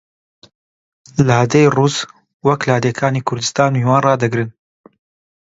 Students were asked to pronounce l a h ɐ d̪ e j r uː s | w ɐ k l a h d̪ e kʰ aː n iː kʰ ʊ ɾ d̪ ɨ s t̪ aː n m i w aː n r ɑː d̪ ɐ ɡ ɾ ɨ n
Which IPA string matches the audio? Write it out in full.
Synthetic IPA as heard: l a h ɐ d̪ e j r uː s | w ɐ k l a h d̪ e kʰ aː n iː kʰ ʊ ɾ d̪ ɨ s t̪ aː n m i w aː n r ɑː d̪ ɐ ɡ ɾ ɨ n